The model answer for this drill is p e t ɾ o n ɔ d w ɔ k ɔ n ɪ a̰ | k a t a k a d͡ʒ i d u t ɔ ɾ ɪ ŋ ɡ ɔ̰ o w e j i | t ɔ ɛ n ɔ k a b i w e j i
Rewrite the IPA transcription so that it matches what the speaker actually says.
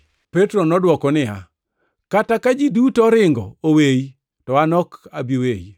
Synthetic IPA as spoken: p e t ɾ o n ɔ d w ɔ k ɔ n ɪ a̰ | k a t a k a d͡ʒ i d u t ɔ ɾ ɪ ŋ ɡ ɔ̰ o w e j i | t ɔ a n ɔ k a b i w e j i